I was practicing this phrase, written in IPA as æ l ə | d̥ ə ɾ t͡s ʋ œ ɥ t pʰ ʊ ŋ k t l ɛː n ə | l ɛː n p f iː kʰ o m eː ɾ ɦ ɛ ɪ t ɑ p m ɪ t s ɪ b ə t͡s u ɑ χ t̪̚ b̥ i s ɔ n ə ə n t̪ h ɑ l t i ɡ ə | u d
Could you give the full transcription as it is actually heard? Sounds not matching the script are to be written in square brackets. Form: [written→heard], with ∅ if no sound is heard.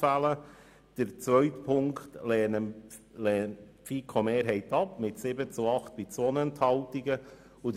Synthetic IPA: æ l ə | d̥ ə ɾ t͡s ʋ œ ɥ t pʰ ʊ ŋ k t l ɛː n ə | l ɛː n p f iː kʰ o m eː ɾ ɦ ɛ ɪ t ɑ p m ɪ t s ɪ b ə t͡s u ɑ χ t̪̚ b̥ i [s→t͡s] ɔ n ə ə n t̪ h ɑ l t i ɡ ə | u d